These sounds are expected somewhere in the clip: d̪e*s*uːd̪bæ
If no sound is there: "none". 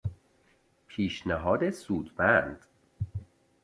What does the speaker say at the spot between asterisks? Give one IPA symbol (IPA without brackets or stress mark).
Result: s